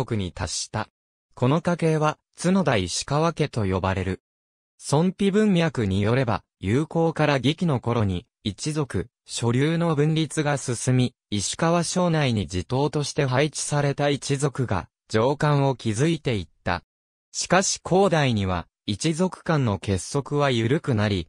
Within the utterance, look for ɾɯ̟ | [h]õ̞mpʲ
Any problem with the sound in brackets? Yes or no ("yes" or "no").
yes